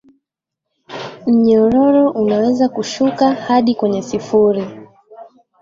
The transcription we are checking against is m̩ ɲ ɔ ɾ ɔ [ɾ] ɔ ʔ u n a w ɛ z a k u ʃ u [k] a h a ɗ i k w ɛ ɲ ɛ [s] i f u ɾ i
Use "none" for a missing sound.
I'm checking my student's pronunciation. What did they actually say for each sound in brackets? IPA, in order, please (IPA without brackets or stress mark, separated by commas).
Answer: ɾ, k, s